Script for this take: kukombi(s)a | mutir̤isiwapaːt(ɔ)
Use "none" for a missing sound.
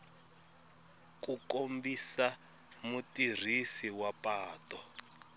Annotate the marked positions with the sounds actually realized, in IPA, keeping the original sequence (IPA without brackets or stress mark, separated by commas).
s, ɔ